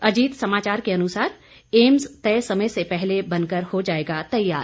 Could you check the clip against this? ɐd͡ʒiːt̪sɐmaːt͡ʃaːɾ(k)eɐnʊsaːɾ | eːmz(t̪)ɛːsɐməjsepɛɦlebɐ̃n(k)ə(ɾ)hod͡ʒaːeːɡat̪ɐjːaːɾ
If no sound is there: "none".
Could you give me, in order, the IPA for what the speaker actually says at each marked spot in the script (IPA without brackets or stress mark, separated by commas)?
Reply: k, t̪, k, ɾ